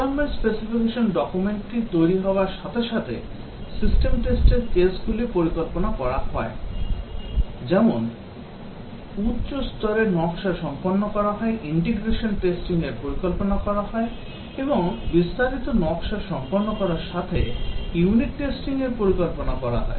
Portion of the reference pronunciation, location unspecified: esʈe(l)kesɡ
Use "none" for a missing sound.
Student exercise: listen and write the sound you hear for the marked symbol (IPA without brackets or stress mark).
ɾ